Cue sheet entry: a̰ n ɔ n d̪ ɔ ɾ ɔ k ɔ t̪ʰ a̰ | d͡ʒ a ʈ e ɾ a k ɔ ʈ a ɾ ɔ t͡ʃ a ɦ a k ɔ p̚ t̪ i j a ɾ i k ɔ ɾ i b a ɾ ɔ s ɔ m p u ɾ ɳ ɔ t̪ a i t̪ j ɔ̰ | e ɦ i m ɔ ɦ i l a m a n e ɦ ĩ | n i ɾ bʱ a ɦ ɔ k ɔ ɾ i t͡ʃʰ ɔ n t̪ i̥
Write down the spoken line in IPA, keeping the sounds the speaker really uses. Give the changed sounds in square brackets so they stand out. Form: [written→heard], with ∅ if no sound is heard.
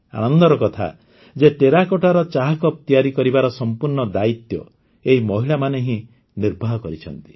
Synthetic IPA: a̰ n ɔ n d̪ ɔ ɾ ɔ k ɔ t̪ʰ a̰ | d͡ʒ [a→e] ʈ e ɾ a k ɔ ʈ a ɾ ɔ t͡ʃ a ɦ a k ɔ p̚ t̪ i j a ɾ i k ɔ ɾ i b a ɾ ɔ s ɔ m p u ɾ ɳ ɔ [t̪→d̪] a i t̪ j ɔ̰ | e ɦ i m ɔ ɦ i [l→ɭ] a m a n e ɦ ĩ | n i ɾ bʱ a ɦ ɔ k ɔ ɾ i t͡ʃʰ ɔ n t̪ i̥